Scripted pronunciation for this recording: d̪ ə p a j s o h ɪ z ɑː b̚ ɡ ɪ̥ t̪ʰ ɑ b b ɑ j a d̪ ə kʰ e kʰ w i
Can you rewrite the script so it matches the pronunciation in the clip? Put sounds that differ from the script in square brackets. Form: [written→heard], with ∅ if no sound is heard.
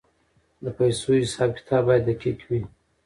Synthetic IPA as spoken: d̪ ə p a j s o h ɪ [z→s] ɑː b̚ [ɡ→k] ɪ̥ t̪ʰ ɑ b b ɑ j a d̪ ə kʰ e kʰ w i